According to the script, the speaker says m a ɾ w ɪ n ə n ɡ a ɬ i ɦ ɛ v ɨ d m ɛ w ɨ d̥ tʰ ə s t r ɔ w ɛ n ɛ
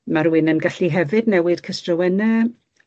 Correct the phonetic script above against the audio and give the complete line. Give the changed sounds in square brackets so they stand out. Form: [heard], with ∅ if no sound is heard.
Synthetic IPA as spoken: m a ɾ w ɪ n ə n ɡ a ɬ i ɦ ɛ v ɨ d [n] ɛ w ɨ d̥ [kʰ] ə s t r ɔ w ɛ n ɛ

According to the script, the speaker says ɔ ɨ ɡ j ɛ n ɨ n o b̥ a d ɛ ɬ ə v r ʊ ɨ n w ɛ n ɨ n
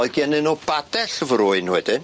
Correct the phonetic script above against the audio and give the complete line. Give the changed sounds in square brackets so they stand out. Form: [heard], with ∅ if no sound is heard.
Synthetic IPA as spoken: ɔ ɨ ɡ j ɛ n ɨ n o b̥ a d ɛ ɬ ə v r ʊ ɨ n w ɛ [d] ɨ n

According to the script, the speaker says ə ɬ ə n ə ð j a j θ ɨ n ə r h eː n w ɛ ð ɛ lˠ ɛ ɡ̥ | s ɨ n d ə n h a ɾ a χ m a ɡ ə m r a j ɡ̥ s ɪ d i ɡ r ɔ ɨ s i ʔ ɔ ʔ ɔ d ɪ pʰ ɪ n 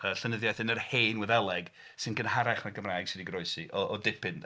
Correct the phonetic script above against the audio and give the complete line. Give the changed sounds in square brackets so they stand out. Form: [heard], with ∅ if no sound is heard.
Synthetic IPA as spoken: ə ɬ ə n ə ð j a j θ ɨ n ə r h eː n w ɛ ð ɛ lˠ ɛ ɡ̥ | s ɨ n [ɡ] ə n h a ɾ a χ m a ɡ ə m r a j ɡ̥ s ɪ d i ɡ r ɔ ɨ s i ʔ ɔ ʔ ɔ d ɪ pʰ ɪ n

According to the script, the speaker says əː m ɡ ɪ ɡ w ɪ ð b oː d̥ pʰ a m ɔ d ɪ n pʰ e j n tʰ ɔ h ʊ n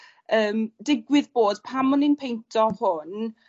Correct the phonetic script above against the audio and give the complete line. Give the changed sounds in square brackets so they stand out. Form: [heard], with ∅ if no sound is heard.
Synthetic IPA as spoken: əː m [d] ɪ ɡ w ɪ ð b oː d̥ pʰ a m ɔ [n] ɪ n pʰ e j n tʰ ɔ h ʊ n

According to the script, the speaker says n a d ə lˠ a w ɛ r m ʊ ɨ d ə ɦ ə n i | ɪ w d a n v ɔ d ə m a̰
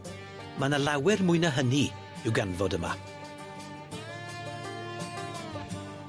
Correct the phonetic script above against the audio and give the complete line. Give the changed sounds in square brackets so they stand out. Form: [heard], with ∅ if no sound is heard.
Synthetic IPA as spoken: [m] a [n] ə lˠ a w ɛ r m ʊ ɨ [n] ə ɦ ə n i | ɪ w [ɡ] a n v ɔ d ə m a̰

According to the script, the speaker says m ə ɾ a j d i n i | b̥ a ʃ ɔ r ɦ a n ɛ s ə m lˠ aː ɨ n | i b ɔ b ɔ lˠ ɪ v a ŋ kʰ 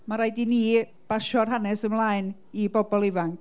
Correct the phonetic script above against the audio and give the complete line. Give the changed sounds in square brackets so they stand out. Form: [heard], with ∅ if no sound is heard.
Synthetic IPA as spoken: m [a] ɾ a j d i n i | b̥ a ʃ ɔ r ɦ a n ɛ s ə m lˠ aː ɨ n | i b ɔ b ɔ lˠ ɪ v a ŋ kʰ

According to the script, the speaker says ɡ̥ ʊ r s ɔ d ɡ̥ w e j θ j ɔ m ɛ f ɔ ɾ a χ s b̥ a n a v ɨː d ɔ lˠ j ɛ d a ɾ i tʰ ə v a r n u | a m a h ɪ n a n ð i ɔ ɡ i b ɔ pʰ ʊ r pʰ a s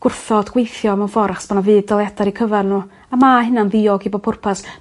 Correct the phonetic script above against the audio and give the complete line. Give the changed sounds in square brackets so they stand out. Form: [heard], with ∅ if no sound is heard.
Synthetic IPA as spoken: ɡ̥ ʊ r [θ] ɔ d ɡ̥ w e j θ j ɔ m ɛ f ɔ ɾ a χ s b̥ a n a v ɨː d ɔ lˠ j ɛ d a ɾ i [kʰ] ə v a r n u | a m a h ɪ n a n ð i ɔ ɡ i b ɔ pʰ ʊ r pʰ a s

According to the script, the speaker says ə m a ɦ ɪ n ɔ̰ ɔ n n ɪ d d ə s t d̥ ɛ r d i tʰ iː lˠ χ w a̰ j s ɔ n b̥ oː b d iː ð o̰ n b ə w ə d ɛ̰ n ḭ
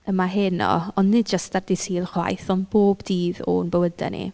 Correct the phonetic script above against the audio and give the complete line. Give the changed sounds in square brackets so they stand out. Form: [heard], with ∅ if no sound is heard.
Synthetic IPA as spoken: ə m a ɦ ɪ n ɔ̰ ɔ n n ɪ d [d͡ʒ] ə s t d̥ [a] r d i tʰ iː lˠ χ w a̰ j [θ] ɔ n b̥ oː b d iː ð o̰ n b ə w ə d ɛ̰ n ḭ

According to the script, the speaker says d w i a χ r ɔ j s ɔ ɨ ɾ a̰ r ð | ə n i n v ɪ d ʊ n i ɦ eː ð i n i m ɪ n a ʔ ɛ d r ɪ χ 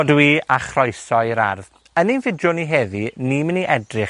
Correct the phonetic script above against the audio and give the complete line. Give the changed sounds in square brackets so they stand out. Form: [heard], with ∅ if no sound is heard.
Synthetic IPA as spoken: d w i a χ r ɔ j s ɔ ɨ ɾ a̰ r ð | ə n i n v ɪ d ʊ n i ɦ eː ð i n i m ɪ n [i] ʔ ɛ d r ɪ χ

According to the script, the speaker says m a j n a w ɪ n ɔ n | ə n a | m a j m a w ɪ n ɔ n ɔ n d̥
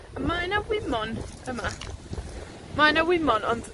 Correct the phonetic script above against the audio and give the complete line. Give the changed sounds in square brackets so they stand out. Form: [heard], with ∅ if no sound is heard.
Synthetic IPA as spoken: m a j n a w ɪ [m] ɔ n | ə [m] a | m a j [n] a w ɪ [m] ɔ n ɔ n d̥

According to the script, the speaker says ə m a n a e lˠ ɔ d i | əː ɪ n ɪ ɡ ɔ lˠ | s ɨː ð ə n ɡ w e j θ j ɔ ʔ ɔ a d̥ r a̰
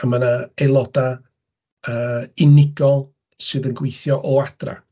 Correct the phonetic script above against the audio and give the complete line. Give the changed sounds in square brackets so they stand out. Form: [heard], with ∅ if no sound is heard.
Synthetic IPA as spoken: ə m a n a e lˠ ɔ d [a] | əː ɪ n ɪ ɡ ɔ lˠ | s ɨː ð ə n ɡ w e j θ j ɔ ʔ ɔ a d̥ r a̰

